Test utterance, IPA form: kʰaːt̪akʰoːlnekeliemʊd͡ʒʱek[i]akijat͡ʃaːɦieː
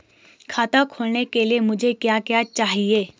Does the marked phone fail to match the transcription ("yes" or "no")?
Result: yes